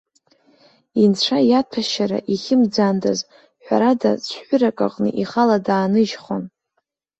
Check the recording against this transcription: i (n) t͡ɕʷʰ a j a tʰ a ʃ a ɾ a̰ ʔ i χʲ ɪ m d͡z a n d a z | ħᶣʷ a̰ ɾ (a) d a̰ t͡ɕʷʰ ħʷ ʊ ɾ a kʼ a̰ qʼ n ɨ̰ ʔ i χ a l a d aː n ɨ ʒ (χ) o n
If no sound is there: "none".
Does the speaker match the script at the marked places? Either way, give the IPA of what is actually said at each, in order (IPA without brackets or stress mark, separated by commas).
n, a, χ